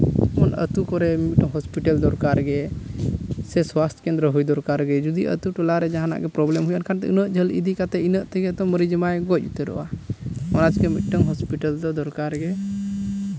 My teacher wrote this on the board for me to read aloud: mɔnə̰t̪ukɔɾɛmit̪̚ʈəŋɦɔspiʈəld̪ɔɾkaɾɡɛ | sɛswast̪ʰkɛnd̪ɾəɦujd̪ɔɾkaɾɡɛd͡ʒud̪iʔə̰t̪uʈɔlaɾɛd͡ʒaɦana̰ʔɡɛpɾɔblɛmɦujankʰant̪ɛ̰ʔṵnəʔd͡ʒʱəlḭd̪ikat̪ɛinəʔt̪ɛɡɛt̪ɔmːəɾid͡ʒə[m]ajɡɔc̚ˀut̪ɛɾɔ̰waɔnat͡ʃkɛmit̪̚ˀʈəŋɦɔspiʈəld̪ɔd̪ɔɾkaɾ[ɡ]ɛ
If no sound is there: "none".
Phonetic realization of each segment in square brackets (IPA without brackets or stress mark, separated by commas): m, ɡ